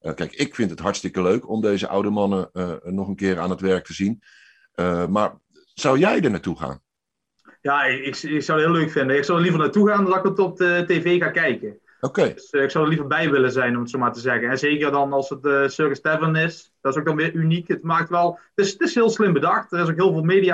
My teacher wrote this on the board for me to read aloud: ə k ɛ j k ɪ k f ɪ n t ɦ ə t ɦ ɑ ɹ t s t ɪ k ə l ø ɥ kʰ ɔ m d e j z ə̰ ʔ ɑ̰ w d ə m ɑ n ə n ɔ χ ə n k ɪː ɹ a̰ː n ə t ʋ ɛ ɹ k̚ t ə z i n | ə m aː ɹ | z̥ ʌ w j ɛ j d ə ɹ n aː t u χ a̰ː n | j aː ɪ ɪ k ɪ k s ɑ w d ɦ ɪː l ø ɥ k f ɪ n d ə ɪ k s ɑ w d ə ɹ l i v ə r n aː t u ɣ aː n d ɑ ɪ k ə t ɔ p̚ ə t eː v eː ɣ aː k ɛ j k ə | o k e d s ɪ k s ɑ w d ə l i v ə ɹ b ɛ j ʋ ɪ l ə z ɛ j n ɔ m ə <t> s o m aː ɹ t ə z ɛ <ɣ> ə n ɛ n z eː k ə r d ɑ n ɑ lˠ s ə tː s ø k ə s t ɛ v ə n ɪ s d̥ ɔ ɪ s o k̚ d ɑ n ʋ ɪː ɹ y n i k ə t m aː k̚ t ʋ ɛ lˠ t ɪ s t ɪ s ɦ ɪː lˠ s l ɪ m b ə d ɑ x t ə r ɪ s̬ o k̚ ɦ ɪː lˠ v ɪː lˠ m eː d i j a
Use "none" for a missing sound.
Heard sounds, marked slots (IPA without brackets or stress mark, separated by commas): t, ɣ